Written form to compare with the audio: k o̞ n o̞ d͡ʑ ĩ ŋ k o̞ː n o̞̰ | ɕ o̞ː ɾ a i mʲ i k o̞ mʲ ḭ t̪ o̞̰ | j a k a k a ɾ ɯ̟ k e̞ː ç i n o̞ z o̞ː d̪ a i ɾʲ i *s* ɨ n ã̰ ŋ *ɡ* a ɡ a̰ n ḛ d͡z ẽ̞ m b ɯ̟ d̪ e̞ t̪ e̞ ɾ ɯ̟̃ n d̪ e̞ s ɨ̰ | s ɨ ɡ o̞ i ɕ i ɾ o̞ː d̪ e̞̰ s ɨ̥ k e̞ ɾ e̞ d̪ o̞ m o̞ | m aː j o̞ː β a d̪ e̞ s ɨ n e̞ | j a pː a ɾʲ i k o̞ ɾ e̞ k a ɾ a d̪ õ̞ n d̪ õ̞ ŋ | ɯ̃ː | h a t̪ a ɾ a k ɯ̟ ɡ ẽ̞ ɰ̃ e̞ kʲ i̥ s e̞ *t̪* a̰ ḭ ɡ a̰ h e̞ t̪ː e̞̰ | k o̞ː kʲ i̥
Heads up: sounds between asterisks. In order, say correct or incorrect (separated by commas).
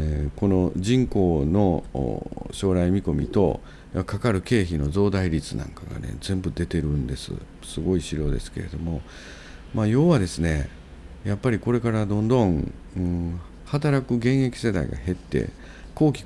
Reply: incorrect, incorrect, incorrect